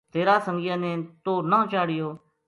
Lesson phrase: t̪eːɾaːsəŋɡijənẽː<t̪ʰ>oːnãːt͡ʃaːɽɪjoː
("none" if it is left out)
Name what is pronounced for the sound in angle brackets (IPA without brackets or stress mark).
t̪